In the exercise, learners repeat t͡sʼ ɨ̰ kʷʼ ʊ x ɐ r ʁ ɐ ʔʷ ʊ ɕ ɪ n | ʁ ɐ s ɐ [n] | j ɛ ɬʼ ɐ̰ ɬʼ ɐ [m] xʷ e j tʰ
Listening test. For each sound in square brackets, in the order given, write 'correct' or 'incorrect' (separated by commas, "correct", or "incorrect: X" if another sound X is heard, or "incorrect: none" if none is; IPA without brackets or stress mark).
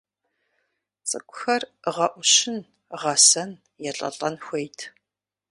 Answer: correct, incorrect: n